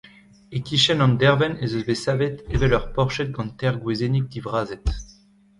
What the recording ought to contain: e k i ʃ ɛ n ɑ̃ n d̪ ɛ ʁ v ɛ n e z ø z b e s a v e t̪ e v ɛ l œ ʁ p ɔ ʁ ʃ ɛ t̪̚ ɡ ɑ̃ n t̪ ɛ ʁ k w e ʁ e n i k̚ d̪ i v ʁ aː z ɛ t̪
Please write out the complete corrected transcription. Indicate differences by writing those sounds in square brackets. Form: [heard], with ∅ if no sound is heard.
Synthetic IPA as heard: e k i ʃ ɛ n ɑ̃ n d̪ ɛ ʁ v ɛ n e z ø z b e s a v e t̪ e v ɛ l œ ʁ p ɔ ʁ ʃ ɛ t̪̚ ɡ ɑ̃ n t̪ ɛ ʁ [ɡ] w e [z] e n i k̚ d̪ i v ʁ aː z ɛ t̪